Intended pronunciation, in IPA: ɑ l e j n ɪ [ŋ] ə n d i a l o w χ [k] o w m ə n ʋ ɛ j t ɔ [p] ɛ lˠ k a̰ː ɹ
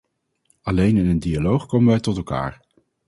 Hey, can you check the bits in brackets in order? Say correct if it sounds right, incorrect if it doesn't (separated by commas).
incorrect, correct, incorrect